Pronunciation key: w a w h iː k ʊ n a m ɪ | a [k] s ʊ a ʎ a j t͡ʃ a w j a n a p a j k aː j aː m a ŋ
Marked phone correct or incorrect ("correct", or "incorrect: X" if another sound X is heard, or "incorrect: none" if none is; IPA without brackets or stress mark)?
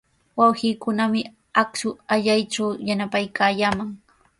correct